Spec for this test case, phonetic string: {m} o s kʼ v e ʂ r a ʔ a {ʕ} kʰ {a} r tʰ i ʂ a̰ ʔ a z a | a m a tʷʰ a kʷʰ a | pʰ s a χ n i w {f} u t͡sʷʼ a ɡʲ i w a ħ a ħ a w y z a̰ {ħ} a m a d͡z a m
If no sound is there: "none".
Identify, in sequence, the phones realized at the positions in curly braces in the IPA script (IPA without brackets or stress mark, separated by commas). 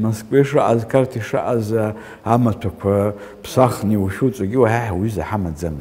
m, z, a, ʃ, ħ